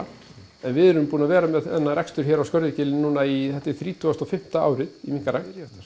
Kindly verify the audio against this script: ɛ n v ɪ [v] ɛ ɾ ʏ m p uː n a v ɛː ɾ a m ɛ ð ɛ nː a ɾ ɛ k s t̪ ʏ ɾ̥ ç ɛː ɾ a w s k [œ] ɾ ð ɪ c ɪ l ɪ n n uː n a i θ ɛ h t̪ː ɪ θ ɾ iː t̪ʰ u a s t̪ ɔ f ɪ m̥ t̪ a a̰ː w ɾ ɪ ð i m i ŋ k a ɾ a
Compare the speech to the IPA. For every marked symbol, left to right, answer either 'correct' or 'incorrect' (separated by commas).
incorrect, correct